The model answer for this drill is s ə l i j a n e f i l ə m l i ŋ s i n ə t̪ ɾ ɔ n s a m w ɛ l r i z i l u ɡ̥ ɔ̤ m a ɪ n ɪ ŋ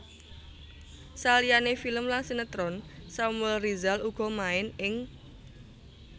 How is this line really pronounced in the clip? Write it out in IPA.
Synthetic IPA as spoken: s a l i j a n e f i l ə m l a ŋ s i n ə t̪ ɾ ɔ n s a m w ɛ l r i z a l u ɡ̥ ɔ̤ m a ɪ n ɪ ŋ